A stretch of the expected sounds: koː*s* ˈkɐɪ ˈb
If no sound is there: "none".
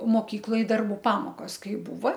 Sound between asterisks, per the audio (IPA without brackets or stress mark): s